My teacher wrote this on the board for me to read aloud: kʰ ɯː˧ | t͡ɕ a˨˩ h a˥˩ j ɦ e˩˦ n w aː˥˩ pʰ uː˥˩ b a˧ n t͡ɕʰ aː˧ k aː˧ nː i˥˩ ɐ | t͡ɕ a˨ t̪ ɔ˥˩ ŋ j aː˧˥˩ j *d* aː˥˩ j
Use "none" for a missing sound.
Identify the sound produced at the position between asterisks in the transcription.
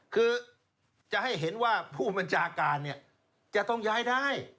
d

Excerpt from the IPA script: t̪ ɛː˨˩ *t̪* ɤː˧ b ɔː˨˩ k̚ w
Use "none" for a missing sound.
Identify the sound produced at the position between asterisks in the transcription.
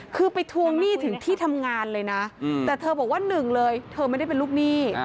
t̪ʰ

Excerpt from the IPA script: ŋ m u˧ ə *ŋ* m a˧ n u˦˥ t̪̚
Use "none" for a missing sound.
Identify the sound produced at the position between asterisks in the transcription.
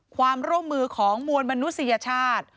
n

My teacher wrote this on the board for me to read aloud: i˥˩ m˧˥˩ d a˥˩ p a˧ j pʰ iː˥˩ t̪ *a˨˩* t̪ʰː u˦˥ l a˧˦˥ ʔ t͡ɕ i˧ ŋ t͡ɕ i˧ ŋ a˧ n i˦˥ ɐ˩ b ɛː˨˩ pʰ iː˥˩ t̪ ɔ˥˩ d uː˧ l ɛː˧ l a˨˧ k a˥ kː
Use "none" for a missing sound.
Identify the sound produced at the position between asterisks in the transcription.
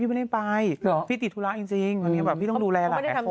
i˨˩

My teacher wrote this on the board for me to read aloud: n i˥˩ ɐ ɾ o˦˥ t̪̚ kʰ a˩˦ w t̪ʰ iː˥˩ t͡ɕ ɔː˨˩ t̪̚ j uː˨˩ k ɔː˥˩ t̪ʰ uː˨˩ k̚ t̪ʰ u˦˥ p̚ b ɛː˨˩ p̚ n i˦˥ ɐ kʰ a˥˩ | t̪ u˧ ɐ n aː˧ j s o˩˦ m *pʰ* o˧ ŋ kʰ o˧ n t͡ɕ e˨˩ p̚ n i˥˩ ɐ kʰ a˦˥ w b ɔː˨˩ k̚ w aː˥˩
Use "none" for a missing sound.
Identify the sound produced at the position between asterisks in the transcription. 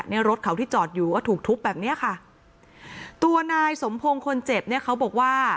pʰ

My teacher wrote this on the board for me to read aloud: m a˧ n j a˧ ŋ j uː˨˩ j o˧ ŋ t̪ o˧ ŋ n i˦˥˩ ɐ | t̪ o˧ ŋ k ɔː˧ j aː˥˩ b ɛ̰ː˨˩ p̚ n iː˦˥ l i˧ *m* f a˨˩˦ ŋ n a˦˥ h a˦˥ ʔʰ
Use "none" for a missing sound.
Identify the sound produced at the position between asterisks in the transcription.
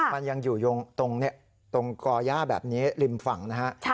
m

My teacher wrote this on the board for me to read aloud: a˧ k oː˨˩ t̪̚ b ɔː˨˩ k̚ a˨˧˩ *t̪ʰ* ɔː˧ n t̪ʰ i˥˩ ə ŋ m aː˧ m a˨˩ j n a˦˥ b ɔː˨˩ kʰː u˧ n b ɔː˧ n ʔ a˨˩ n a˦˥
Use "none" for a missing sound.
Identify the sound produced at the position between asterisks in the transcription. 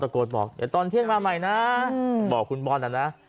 t̪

